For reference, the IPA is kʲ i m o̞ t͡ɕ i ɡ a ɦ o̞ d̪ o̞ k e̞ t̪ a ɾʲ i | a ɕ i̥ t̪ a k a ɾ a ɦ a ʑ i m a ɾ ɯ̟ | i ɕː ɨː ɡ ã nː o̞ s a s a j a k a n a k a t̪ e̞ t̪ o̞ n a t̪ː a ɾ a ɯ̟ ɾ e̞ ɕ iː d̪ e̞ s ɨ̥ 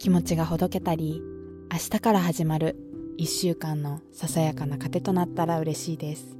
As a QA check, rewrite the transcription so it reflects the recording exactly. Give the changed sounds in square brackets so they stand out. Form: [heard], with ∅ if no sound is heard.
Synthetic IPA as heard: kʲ i m o̞ t͡ɕ i ɡ a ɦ o̞ d̪ o̞ k e̞ t̪ a ɾʲ i | a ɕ i̥ t̪ a k a ɾ a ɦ a ʑ i m a ɾ ɯ̟ | i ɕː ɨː [k] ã nː o̞ s a s a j a k a n a k a t̪ e̞ t̪ o̞ n a t̪ː a ɾ a ɯ̟ ɾ e̞ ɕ iː d̪ e̞ s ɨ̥